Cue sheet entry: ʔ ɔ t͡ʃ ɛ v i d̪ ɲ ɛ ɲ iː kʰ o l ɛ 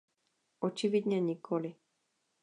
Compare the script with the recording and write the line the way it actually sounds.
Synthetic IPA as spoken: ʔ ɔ t͡ʃ i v i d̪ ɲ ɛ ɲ i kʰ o l i